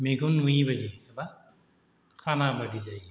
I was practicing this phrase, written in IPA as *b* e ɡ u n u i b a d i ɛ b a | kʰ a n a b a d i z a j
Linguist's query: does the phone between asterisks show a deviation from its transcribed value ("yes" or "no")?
yes